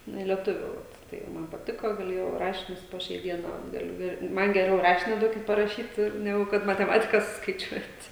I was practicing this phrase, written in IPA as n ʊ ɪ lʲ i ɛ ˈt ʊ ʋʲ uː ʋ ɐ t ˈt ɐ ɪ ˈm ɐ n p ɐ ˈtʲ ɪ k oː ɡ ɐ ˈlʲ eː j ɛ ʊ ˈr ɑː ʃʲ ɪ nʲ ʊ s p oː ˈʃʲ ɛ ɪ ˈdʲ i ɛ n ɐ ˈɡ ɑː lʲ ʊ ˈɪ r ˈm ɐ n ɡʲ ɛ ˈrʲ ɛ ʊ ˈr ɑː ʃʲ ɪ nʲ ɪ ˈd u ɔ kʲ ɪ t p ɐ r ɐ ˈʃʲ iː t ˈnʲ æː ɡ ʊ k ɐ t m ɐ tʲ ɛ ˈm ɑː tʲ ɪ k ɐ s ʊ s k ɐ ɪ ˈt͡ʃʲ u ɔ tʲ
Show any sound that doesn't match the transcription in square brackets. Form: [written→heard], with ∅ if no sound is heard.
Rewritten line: n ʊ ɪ lʲ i ɛ ˈt ʊ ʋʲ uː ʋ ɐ t ˈt ɐ ɪ ˈm ɐ n p ɐ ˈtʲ ɪ k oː ɡ ɐ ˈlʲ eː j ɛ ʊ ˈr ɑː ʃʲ ɪ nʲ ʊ s p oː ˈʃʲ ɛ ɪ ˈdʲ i ɛ n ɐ ˈɡ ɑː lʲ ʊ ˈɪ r ˈm ɐ n ɡʲ ɛ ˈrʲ ɛ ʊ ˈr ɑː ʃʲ ɪ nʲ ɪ ˈd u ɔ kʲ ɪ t p ɐ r ɐ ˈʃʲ iː t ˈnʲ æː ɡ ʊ k ɐ t m ɐ tʲ ɛ ˈm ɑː tʲ ɪ k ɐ s ʊ s k ɐ ɪ ˈt͡ʃʲ u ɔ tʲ